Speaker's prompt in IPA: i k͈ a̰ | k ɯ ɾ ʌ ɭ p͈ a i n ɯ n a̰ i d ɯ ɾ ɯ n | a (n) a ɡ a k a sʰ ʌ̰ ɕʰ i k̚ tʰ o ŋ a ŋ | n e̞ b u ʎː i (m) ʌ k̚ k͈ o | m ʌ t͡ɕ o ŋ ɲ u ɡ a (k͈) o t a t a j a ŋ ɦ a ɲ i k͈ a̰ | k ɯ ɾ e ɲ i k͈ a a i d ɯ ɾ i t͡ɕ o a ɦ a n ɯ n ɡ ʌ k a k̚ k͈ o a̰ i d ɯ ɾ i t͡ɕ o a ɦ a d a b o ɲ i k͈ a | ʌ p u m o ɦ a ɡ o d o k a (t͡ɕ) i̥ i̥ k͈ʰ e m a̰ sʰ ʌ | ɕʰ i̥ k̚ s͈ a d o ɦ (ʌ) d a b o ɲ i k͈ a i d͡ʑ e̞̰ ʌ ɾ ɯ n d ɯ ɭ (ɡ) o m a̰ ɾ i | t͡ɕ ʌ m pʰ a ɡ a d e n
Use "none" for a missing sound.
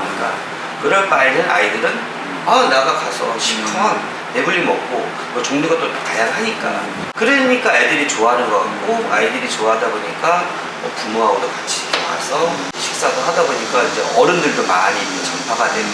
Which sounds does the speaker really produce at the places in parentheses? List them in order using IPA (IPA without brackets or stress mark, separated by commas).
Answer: n, m, t͈, t͡ɕʰ, a, d